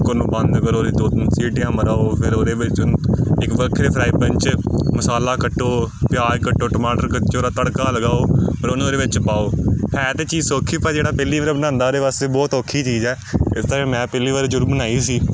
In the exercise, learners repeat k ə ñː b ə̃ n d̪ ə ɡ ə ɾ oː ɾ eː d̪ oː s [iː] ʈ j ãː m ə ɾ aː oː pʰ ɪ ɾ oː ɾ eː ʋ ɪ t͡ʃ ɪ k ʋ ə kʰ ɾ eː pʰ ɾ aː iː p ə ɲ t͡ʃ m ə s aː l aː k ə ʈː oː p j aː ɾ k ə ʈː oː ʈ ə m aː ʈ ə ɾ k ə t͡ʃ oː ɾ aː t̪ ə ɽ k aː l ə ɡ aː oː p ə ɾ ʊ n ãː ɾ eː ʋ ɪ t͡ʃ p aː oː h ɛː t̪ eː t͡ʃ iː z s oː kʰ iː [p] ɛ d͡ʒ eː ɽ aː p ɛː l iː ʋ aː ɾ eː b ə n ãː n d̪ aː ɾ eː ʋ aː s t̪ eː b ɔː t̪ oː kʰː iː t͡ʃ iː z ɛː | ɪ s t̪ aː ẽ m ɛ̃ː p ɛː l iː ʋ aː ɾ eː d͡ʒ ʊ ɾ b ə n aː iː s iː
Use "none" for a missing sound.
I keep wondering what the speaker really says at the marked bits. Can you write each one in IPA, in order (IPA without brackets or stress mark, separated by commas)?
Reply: iː, p